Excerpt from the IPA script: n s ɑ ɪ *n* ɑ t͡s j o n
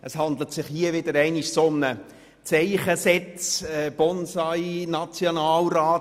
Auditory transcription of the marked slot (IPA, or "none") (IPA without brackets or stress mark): n